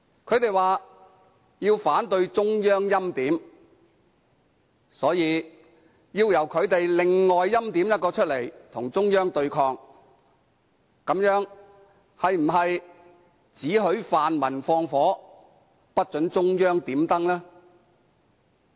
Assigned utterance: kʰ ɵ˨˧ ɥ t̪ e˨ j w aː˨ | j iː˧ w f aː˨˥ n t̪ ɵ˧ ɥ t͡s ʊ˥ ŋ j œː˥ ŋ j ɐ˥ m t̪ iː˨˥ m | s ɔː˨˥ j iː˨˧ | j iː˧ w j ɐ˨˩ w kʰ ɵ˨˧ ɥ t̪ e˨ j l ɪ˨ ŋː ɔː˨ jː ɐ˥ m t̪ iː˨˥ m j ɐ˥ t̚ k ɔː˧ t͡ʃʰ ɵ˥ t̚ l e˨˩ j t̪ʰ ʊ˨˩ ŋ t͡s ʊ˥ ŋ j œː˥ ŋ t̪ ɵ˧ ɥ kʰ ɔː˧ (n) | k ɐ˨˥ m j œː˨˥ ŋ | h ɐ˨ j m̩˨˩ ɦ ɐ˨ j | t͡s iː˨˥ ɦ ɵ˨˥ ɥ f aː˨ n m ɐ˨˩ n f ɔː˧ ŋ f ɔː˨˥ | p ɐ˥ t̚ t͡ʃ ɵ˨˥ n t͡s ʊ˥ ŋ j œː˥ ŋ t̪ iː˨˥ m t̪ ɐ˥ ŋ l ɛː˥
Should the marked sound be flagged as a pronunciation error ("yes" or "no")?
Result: yes